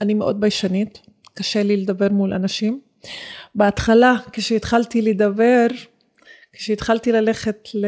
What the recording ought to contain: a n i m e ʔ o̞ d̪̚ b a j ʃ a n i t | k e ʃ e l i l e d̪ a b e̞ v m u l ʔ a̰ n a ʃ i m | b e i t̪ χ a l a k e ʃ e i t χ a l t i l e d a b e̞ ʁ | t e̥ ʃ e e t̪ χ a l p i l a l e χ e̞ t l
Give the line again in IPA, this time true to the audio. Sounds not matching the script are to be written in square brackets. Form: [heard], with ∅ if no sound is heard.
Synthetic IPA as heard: a n i m e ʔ o̞ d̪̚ b a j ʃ a n i t | k [a] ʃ e l i l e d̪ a b e̞ [ʁ] m u l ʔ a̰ n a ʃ i m | b e [a] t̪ χ a l a k e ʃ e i t χ a l t i l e d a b e̞ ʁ | [k] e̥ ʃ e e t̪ χ a l [t] i l a l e χ e̞ t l